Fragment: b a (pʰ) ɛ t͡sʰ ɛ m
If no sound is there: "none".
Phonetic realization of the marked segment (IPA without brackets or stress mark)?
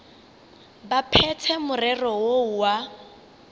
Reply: pʰ